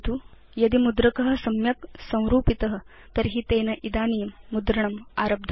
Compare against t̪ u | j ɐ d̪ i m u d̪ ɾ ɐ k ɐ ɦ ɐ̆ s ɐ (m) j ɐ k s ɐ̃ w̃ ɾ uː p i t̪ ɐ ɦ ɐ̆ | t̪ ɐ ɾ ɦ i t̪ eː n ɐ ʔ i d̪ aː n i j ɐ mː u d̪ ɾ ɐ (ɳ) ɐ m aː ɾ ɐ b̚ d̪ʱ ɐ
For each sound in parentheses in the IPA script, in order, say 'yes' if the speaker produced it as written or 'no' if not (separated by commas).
yes, yes